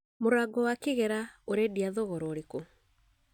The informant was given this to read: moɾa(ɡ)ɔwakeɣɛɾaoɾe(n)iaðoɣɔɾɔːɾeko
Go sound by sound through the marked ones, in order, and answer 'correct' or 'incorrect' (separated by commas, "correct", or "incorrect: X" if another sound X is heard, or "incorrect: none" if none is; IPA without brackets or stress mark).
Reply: correct, incorrect: d